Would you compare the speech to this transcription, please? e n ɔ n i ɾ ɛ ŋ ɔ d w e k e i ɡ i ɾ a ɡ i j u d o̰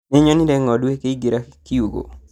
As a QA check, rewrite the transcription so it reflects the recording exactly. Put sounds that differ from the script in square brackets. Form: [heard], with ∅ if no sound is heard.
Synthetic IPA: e [ɲ] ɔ n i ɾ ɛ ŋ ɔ d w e k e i ɡ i ɾ a [k] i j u [ɡ] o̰